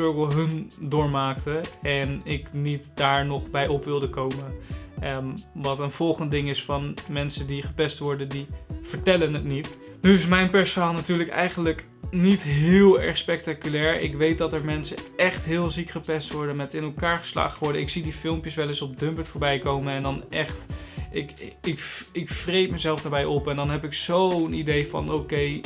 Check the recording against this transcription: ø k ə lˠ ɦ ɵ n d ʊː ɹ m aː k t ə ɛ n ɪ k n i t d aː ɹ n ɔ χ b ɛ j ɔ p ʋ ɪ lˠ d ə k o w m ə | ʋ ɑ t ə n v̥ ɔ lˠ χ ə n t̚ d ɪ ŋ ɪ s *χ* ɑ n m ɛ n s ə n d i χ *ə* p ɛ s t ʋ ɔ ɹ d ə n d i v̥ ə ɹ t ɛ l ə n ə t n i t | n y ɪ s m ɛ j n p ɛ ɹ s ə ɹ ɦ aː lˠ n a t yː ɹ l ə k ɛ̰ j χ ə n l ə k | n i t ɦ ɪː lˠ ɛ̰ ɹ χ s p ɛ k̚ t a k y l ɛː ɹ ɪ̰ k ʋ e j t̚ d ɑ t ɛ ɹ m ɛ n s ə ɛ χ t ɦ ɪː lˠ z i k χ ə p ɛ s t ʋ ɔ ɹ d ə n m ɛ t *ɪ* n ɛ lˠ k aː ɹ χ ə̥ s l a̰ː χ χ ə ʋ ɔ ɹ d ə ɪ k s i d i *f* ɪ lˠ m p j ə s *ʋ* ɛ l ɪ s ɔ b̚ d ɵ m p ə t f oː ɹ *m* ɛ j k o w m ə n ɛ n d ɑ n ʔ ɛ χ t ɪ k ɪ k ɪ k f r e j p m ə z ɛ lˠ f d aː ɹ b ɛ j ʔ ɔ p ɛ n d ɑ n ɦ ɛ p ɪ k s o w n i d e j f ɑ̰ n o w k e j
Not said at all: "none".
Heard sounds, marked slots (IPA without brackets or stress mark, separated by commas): f, ə, ɪ, f, ʋ, b